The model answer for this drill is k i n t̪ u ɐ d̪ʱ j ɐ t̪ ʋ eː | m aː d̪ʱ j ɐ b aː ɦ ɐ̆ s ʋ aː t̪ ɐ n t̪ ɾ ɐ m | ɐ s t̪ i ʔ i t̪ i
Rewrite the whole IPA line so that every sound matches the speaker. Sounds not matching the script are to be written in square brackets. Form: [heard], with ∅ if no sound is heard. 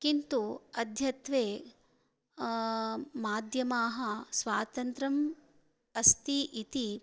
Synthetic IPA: k i n t̪ u ɐ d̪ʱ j ɐ t̪ ʋ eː | m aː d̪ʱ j ɐ [m] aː ɦ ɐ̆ s ʋ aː t̪ ɐ n t̪ ɾ ɐ m | ɐ s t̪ i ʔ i t̪ i